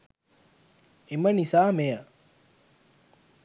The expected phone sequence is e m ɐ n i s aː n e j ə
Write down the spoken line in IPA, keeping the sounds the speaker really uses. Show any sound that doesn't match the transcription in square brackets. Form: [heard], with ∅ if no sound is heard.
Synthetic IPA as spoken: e m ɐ n i s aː [m] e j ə